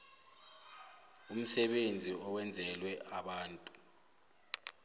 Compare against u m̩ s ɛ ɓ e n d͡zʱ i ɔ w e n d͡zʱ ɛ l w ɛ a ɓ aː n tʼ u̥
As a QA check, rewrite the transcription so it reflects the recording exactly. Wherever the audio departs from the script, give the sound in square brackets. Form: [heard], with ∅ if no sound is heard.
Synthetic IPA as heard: u m̩ s ɛ ɓ e n d͡zʱ i ɔ w [ɛ] n d͡zʱ ɛ l w ɛ a ɓ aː n tʼ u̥